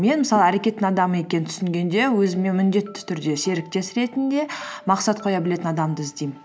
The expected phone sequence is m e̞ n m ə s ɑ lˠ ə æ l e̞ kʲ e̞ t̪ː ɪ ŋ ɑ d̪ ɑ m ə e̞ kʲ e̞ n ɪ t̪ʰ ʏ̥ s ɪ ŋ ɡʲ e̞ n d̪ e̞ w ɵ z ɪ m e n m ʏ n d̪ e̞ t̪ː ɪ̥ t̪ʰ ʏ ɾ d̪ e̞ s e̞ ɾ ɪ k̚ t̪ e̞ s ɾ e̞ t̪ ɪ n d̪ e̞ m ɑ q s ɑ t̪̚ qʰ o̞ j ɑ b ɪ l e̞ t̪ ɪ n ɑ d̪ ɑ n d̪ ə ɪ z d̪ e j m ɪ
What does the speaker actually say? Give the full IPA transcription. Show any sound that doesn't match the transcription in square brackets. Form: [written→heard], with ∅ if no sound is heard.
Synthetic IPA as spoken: m e̞ n m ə s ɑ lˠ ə æ [l→ɾ] e̞ kʲ e̞ t̪ː ɪ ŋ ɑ d̪ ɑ m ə e̞ kʲ e̞ n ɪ t̪ʰ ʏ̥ s ɪ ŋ ɡʲ e̞ n d̪ e̞ w ɵ z ɪ m e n m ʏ n d̪ e̞ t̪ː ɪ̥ t̪ʰ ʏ ɾ d̪ e̞ s e̞ ɾ ɪ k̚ t̪ e̞ s ɾ e̞ t̪ ɪ n d̪ e̞ m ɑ q s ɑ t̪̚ qʰ o̞ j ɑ b ɪ l e̞ t̪ ɪ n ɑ d̪ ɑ [n→m] d̪ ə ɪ z d̪ e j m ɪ